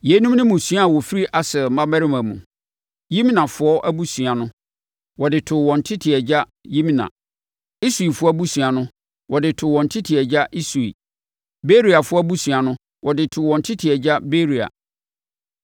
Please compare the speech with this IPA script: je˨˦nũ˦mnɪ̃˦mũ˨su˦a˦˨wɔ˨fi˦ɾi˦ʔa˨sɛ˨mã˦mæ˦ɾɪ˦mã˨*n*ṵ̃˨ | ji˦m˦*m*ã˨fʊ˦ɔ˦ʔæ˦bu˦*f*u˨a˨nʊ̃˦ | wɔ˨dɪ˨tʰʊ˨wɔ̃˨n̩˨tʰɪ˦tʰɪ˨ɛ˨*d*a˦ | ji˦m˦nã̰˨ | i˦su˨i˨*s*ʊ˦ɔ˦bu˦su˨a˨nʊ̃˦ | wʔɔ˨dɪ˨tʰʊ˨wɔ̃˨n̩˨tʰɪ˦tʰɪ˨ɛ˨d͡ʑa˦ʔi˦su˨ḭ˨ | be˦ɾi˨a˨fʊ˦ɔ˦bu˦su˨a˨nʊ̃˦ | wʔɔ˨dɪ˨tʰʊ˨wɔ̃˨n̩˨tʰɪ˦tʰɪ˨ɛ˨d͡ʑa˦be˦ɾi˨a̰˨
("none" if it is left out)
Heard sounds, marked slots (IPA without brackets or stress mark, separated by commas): m, n, s, d͡ʑ, f